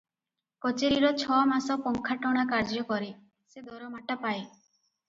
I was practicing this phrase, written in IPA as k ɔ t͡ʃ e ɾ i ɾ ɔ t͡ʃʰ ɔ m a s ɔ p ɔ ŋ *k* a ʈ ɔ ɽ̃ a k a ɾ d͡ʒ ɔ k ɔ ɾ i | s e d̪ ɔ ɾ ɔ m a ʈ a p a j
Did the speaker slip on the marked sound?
yes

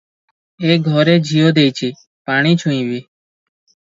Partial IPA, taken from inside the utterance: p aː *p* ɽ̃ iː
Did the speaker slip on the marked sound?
yes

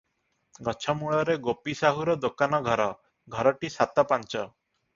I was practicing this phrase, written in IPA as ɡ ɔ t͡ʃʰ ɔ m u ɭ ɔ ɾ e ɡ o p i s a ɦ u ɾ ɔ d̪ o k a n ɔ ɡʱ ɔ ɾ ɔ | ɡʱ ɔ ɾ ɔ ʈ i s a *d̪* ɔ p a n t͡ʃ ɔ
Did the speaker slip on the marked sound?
yes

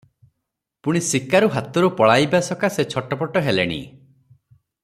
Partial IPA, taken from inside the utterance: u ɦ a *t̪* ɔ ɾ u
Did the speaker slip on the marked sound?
no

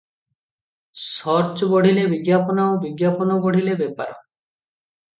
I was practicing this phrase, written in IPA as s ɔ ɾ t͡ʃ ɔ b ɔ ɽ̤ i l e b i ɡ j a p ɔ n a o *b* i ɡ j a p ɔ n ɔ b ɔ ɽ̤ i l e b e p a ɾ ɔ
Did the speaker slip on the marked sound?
no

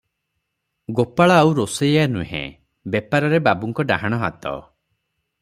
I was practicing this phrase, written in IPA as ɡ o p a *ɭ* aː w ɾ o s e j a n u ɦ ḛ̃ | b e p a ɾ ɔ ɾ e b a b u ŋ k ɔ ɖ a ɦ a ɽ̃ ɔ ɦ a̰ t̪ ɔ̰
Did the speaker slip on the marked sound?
no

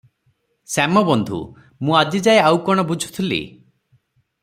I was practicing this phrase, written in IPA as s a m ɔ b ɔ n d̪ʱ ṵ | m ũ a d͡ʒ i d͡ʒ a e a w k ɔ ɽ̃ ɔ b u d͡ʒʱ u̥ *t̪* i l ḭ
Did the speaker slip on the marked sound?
yes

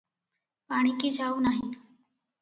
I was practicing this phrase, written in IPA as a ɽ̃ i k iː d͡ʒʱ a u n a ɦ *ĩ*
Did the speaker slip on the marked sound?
yes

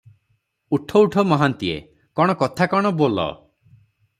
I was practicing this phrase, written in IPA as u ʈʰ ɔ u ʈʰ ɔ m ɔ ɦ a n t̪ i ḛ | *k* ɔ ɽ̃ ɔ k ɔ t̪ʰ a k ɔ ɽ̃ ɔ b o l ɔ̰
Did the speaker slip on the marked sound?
no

